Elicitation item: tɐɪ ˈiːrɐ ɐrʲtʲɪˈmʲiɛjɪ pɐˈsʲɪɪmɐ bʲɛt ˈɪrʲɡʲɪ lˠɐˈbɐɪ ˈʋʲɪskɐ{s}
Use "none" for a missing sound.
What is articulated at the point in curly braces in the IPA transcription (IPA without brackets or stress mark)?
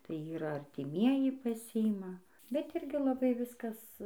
s